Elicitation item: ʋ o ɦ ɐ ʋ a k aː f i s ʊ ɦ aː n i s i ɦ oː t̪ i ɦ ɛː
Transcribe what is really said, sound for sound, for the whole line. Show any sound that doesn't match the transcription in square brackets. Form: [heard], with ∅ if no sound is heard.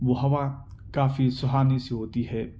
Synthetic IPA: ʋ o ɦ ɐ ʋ a k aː f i s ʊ ɦ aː n i s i ɦ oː t̪ i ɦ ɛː